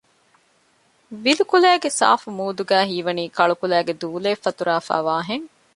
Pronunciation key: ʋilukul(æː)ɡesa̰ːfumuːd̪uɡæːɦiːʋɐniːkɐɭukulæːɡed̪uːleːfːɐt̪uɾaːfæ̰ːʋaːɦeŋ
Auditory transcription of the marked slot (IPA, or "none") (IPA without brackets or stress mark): æː